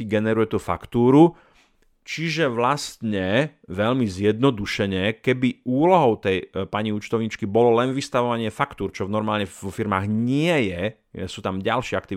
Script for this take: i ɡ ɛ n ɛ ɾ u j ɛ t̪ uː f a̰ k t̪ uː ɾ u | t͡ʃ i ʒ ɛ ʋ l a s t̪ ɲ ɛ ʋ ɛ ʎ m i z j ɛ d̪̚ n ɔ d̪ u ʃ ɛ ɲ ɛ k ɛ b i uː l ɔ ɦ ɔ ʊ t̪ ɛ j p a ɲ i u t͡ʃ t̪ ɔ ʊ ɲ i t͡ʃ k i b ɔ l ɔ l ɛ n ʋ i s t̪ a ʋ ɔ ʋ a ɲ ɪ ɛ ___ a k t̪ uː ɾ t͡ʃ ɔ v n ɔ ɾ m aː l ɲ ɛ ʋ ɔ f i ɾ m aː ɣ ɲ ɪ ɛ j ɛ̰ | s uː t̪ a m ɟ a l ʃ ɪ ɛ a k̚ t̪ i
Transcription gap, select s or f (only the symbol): f